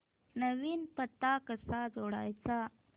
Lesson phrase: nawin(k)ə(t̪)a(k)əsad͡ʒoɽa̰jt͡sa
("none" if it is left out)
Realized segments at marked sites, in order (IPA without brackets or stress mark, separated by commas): p, t̪, k